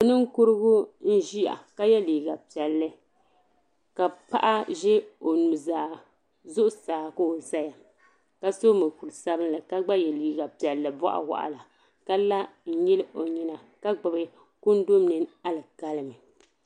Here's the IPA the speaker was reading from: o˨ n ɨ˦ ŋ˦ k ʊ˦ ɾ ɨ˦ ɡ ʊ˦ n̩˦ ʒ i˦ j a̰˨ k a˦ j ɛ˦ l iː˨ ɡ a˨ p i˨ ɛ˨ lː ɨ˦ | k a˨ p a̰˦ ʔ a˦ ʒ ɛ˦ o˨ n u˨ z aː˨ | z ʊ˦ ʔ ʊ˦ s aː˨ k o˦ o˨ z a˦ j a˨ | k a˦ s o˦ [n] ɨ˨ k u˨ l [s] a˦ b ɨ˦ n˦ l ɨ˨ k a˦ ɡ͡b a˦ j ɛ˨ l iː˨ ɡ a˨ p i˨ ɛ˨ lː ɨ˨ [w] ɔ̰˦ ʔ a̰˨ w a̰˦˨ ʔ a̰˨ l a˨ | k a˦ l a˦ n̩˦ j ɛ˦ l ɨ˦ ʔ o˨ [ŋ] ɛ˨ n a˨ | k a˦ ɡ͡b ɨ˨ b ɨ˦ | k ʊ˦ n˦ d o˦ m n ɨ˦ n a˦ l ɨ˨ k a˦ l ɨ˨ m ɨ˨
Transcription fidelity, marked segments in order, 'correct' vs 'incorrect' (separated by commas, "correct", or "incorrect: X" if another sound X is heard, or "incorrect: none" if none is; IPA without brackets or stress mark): incorrect: m, correct, incorrect: b, incorrect: ɲ